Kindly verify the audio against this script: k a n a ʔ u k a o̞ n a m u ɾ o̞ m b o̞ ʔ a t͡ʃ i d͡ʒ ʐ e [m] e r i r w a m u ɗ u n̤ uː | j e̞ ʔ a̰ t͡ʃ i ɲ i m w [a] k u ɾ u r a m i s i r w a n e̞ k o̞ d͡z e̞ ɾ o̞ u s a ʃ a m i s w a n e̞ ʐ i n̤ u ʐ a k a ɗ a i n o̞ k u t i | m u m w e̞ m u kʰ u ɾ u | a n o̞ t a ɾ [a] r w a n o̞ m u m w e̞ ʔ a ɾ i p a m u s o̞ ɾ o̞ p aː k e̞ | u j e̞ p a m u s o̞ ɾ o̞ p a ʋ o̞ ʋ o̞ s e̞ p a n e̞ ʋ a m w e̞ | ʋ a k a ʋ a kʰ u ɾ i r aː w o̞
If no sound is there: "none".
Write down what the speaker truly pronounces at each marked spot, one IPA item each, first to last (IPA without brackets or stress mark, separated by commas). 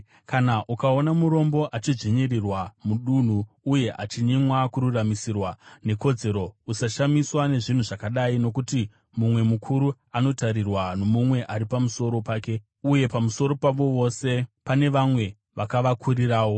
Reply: ɲ, a, i